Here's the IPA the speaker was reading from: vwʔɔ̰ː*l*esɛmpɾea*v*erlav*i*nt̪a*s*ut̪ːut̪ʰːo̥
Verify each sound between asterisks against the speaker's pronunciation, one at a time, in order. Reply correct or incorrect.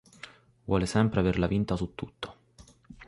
correct, correct, correct, correct

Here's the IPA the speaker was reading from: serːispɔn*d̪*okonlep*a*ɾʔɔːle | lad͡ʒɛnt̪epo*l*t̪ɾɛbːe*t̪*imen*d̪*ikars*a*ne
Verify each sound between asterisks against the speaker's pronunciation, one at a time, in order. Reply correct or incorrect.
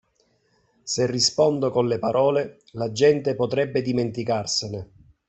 correct, correct, incorrect: none, incorrect: d̪, incorrect: t̪, incorrect: e

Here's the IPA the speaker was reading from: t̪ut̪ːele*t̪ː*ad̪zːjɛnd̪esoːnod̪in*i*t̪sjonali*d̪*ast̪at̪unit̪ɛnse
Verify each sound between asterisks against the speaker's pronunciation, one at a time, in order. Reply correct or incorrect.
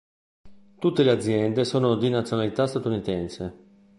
incorrect: none, incorrect: a, incorrect: t̪

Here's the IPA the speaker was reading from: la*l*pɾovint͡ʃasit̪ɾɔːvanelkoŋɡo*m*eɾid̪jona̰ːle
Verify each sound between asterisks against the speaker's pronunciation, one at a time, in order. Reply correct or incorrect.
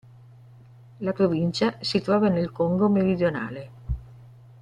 incorrect: none, correct

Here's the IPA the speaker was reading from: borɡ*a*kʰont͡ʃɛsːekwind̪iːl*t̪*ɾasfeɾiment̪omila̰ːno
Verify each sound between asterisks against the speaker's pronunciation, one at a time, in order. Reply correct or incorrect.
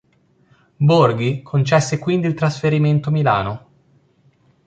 incorrect: i, correct

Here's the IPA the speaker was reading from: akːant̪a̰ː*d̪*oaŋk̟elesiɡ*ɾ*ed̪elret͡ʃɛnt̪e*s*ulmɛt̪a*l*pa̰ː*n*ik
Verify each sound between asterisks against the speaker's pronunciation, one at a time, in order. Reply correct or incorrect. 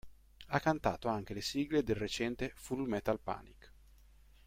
incorrect: t̪, incorrect: l, incorrect: f, correct, correct

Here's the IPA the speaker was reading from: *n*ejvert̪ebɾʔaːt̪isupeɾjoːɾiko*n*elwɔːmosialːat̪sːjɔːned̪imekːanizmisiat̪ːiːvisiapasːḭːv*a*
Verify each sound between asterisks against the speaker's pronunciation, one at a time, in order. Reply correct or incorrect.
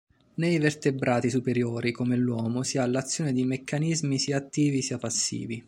correct, incorrect: m, incorrect: i

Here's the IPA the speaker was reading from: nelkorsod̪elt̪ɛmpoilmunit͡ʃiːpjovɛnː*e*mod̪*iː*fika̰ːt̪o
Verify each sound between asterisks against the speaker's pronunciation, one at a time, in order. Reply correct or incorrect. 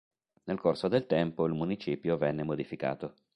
correct, incorrect: i

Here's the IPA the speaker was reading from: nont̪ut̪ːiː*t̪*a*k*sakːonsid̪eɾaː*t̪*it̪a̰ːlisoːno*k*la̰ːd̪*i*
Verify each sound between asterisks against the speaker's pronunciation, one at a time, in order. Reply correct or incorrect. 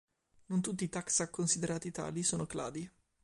correct, correct, correct, correct, correct

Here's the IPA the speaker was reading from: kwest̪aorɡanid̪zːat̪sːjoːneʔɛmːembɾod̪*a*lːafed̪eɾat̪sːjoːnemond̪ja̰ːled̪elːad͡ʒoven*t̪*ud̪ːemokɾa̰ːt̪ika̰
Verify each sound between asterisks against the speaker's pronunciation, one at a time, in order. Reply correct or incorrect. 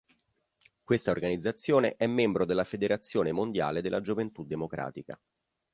incorrect: e, correct

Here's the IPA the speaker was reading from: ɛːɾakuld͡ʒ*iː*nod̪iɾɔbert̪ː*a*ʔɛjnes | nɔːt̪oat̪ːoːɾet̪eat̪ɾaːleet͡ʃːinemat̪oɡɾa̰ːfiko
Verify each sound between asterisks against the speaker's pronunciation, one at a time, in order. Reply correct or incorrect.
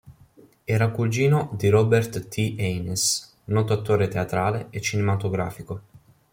correct, incorrect: i

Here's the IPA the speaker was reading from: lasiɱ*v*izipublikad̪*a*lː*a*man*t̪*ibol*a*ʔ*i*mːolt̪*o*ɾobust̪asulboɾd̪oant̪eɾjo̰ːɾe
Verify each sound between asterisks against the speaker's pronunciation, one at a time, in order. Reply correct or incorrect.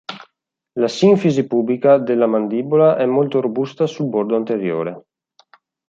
incorrect: f, incorrect: e, correct, incorrect: d̪, correct, incorrect: ɛ, correct

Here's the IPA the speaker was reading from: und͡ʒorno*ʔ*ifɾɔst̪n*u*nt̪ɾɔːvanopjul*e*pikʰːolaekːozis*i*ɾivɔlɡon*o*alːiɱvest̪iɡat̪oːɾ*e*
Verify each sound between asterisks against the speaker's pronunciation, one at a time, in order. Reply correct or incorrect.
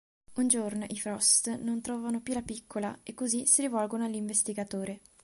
correct, incorrect: o, incorrect: a, correct, correct, correct

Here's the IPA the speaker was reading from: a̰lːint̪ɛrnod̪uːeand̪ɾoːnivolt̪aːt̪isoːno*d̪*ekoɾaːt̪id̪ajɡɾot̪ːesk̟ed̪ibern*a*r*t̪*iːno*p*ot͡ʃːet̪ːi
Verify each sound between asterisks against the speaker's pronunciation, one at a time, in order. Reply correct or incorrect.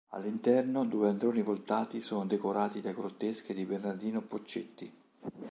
correct, correct, incorrect: d̪, correct

